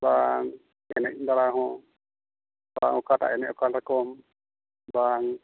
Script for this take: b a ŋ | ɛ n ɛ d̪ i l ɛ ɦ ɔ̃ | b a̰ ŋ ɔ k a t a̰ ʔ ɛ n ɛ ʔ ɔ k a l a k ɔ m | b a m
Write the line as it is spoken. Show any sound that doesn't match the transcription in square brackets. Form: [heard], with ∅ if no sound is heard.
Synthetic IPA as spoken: b a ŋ | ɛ n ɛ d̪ [a] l [a] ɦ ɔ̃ | b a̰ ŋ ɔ k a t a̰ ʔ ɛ n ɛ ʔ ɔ k a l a k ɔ m | b a [ŋ]